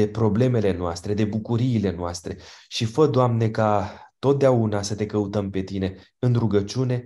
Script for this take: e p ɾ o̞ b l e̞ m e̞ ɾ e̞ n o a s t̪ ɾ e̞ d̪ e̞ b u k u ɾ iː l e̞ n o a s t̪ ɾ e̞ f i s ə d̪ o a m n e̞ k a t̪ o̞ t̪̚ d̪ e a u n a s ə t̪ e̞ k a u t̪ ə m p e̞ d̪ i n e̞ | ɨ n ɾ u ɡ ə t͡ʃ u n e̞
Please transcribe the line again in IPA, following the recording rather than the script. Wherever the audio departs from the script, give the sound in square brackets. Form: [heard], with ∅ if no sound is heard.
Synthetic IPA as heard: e p ɾ o̞ b l e̞ m e̞ [l] e̞ n o a s t̪ ɾ e̞ d̪ e̞ b u k u ɾ iː l e̞ n o a s t̪ ɾ e̞ [ʃ] i [f] ə d̪ o a m n e̞ k a t̪ o̞ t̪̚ d̪ e a u n a s ə t̪ e̞ k [ə] u t̪ ə m p e̞ [t̪] i n e̞ | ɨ n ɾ u ɡ ə t͡ʃ u n e̞